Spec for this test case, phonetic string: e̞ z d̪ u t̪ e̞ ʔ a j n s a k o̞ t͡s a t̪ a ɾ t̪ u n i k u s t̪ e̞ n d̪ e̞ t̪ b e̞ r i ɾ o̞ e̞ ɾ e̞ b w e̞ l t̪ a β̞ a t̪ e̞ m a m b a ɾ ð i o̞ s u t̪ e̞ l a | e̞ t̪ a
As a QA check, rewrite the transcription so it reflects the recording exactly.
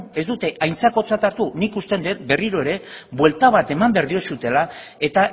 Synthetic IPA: e̞ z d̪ u t̪ e̞ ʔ a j n t͡s a k o̞ t͡s a t̪ a ɾ t̪ u n i k u s t̪ e̞ n d̪ e̞ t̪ b e̞ r i ɾ o̞ e̞ ɾ e̞ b w e̞ l t̪ a β̞ a t̪ e̞ m a m b e ɾ ð i o̞ s u t̪ e̞ l a | e̞ t̪ a